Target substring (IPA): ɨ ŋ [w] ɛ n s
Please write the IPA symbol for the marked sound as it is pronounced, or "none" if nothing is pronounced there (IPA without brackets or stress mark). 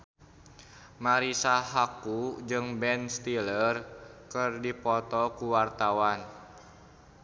b